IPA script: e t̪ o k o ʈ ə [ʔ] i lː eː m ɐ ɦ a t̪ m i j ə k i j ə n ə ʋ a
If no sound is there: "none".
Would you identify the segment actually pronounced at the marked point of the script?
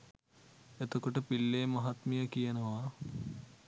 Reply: p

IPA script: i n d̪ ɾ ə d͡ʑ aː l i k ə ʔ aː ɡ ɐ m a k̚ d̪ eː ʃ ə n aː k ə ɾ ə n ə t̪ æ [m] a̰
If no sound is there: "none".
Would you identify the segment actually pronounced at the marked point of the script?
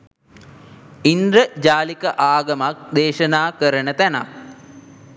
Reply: n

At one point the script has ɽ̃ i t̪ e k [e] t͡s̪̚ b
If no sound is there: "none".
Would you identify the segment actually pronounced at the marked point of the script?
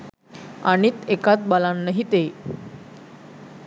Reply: a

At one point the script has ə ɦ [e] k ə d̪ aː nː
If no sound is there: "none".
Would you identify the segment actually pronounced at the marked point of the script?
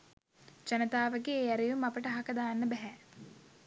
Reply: a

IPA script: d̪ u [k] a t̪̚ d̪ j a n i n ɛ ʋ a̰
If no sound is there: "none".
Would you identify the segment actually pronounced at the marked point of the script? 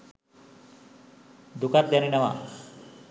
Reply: k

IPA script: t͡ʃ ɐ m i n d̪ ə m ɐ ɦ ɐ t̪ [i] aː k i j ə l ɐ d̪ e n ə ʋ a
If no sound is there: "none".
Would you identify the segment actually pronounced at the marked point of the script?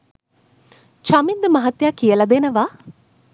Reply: j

